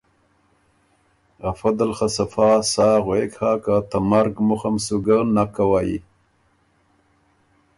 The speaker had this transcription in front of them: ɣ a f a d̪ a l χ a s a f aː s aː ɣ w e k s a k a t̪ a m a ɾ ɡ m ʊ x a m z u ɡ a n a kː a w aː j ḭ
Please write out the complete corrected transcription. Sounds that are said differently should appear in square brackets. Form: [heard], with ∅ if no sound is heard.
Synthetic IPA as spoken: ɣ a f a d̪ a l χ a s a f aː s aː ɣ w e k [h] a k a t̪ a m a ɾ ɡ m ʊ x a m [s] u ɡ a n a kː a w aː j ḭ